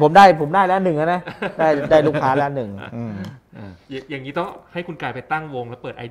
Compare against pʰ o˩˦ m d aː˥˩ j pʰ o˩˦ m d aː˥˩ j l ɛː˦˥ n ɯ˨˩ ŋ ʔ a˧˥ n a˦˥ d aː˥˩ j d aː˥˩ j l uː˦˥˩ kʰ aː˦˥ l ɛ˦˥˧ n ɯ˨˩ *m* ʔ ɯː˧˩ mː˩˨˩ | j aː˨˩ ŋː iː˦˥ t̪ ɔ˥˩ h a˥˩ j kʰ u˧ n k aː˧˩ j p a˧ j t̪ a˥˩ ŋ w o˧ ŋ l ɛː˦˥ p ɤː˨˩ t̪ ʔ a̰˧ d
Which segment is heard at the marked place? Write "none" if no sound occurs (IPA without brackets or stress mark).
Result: ŋ